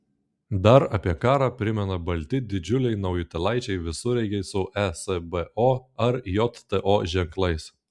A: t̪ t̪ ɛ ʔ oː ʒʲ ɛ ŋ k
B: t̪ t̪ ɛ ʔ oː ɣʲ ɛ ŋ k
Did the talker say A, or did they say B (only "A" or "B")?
A